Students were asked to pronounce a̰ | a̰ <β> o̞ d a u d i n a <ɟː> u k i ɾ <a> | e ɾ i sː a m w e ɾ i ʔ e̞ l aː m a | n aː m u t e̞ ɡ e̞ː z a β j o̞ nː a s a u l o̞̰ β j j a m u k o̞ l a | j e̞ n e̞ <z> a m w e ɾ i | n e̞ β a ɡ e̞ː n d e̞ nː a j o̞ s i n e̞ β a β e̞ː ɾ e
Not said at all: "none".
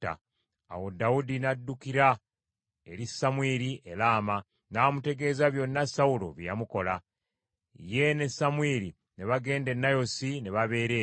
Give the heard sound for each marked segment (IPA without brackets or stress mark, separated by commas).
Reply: w, dː, a, s